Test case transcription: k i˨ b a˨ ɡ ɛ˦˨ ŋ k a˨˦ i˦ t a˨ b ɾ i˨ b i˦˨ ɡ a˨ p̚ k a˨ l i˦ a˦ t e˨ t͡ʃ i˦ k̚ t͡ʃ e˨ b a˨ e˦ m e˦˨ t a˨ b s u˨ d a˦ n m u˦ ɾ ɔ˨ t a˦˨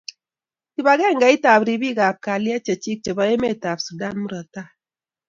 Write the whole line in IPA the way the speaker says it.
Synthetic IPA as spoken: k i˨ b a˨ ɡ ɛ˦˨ ŋ ɡ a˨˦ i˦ t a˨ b ɾ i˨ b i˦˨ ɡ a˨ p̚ k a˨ l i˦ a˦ t͡ʃ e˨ t͡ʃ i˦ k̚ t͡ʃ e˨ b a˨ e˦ m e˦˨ t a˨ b s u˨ d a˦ n m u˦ ɾ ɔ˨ t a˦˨